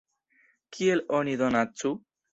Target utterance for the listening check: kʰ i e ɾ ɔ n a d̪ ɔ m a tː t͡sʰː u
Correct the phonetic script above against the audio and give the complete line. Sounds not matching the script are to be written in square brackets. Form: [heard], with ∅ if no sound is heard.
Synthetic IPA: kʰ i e [l] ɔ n [i] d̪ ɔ [n] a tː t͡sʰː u